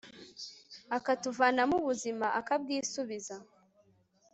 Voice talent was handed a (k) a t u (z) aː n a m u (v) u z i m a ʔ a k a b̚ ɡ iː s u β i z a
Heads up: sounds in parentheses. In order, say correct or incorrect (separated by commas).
correct, incorrect, incorrect